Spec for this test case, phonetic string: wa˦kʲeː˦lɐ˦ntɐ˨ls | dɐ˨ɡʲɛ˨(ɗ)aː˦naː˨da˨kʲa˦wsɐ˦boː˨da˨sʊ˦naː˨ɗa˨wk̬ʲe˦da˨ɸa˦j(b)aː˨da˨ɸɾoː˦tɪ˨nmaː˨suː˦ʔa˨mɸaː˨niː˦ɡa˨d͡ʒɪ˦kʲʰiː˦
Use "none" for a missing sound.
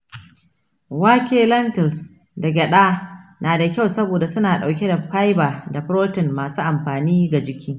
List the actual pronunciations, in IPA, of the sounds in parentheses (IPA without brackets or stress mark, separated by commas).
ɗ, b